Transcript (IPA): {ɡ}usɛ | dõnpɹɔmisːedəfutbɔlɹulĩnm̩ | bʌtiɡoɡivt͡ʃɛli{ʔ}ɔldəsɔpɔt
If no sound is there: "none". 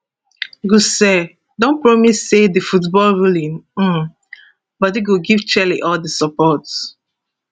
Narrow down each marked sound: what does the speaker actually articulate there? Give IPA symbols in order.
ɡ, ʔ

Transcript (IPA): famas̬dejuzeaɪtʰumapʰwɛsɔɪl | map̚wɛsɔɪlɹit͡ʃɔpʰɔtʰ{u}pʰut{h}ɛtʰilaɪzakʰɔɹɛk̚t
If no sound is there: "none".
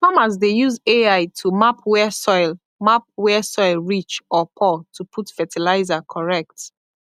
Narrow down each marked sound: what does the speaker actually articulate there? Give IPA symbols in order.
u, f

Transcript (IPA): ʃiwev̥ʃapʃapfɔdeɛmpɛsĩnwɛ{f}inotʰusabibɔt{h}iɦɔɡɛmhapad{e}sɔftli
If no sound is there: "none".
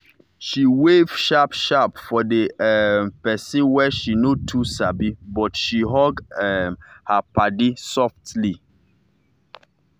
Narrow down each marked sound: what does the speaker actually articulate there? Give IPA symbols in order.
ʃ, ʃ, i

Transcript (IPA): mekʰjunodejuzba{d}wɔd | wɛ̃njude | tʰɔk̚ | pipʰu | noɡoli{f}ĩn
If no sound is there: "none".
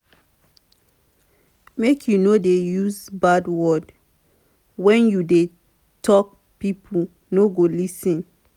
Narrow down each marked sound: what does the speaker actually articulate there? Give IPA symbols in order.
d, s

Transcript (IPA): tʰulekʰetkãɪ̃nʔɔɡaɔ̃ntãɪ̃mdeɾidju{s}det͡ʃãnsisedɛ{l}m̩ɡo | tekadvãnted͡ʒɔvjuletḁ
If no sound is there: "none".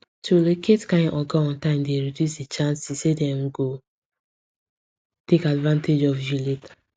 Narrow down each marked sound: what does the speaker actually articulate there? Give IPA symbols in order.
s, none

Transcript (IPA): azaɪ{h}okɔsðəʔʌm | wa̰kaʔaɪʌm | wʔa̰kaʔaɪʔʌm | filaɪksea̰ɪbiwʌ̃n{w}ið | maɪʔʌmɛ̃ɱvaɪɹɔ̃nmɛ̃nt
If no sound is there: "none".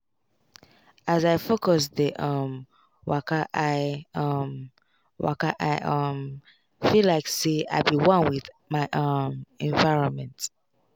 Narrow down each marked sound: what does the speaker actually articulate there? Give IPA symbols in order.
f, w

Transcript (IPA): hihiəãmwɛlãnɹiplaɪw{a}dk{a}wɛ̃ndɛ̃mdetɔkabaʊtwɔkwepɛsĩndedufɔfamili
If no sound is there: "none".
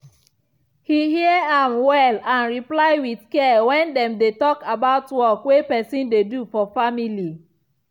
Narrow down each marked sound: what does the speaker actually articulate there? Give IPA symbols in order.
i, ɛ

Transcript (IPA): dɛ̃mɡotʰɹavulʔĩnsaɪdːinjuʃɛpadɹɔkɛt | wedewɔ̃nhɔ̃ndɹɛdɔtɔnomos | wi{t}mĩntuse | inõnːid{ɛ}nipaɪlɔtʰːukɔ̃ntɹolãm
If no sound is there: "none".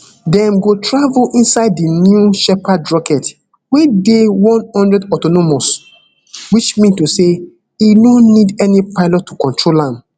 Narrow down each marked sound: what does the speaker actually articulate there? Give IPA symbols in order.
t͡ʃ, ɛ

